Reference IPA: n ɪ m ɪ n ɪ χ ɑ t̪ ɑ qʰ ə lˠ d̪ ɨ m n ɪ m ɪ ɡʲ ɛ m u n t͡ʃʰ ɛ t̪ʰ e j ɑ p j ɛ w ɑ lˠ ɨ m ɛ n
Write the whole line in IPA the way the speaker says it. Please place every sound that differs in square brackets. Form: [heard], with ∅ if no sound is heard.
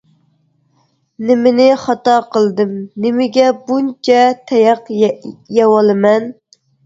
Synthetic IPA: n ɪ m ɪ n ɪ χ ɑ t̪ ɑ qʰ ə lˠ d̪ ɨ m n ɪ m ɪ ɡʲ ɛ [b] u n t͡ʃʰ ɛ t̪ʰ [ɛ] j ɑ [q] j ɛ w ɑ lˠ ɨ m ɛ n